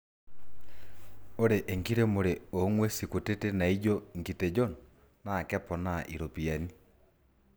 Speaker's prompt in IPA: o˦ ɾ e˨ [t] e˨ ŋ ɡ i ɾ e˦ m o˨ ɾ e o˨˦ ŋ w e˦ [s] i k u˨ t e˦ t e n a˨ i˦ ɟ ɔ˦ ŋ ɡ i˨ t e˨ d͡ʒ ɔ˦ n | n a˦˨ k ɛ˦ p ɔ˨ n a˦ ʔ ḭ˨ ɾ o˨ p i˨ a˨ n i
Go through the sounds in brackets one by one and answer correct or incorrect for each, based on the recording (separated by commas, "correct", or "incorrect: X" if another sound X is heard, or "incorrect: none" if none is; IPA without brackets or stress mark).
incorrect: ʔ, correct